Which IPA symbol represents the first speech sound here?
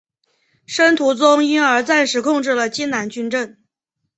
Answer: ʂ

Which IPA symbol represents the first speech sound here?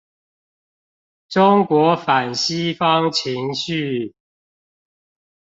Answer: ʈ͡ʂ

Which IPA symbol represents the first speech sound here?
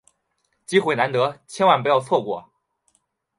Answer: t͡ɕ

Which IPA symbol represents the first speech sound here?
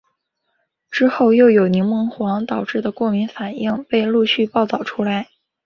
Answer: ʈ͡ʂ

